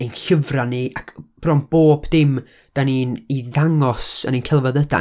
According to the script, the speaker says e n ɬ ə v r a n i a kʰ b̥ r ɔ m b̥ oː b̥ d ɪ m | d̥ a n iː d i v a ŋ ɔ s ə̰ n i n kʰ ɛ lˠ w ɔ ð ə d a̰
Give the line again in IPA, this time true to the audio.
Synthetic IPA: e n ɬ ə v r a n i a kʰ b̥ r ɔ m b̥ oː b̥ d ɪ m | d̥ a n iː n i ð a ŋ ɔ s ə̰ n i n kʰ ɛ lˠ v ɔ ð ə d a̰